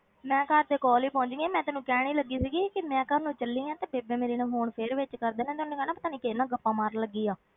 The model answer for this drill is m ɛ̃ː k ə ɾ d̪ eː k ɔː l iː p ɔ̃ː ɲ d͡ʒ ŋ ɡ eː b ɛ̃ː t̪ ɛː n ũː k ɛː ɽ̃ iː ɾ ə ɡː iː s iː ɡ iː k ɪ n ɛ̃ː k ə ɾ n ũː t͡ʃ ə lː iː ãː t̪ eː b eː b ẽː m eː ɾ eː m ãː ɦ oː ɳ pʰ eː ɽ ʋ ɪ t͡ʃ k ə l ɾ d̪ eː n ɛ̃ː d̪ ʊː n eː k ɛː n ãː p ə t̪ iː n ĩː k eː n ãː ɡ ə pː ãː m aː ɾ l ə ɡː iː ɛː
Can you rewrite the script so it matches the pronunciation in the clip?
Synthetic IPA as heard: m ɛ̃ː k ə ɾ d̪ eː k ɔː l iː p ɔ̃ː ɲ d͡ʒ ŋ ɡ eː m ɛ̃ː t̪ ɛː n ũː k ɛː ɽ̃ iː l ə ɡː iː s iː ɡ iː k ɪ m ɛ̃ː k ə ɾ n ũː t͡ʃ ə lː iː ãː t̪ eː b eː b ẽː m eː ɾ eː n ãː ɦ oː ɳ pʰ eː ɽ ʋ ɪ t͡ʃ k ə ɾ d̪ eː n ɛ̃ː t̪ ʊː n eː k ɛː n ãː p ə t̪ aː n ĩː k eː n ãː ɡ ə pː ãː m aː ɾ l ə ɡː iː aː